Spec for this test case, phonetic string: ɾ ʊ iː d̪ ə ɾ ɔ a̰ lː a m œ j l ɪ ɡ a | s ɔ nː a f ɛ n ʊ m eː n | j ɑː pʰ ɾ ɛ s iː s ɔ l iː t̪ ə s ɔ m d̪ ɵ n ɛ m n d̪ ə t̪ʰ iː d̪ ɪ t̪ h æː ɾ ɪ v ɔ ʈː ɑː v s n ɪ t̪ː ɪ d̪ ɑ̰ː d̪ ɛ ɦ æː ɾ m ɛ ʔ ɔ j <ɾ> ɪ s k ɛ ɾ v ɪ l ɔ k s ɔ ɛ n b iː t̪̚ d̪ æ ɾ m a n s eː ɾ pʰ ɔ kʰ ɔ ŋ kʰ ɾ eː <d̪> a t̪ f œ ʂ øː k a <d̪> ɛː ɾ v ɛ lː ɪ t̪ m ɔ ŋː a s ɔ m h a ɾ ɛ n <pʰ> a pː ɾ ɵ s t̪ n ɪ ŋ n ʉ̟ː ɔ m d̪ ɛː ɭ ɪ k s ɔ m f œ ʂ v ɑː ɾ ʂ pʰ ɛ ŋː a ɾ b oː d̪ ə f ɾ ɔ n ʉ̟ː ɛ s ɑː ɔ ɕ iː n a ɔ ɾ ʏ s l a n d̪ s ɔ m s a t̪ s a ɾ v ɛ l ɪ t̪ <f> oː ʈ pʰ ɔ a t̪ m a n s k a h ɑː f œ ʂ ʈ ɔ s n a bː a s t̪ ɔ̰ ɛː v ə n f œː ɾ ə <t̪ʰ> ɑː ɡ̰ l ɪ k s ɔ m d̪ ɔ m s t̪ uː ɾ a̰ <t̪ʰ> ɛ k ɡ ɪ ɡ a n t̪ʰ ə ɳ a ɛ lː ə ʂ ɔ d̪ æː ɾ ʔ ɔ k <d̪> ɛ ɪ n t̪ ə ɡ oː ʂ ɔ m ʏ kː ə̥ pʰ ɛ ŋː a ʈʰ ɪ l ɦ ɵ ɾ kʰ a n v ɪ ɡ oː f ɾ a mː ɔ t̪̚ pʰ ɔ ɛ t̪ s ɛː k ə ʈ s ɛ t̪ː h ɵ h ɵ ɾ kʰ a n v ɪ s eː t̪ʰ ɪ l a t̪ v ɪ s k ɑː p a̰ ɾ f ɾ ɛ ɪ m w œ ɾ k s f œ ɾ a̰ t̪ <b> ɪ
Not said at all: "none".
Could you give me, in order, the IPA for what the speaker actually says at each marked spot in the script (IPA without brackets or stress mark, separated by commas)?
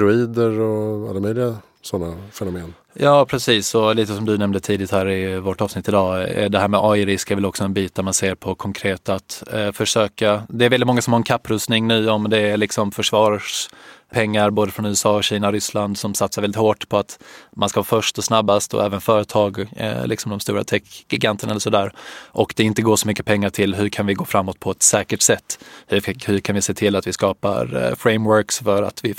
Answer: ɾ, t̪, d̪, kʰ, h, t̪ʰ, t̪ʰ, d̪, v